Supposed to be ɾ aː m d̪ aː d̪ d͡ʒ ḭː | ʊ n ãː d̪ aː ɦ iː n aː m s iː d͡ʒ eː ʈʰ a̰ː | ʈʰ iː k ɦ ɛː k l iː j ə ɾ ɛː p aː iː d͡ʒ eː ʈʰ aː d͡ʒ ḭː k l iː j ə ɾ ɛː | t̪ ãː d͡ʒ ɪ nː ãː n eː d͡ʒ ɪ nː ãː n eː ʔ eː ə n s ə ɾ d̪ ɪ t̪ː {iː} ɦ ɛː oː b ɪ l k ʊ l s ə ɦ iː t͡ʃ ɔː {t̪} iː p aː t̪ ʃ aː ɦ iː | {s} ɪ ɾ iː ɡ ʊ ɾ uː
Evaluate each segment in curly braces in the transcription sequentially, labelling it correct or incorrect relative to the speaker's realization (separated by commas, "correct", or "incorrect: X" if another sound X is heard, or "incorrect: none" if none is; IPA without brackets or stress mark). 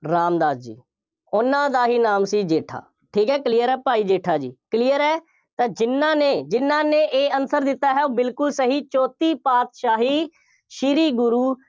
incorrect: aː, correct, incorrect: ʃ